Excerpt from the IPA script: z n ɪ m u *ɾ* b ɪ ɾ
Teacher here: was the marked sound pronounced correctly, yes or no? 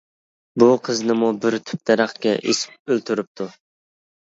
no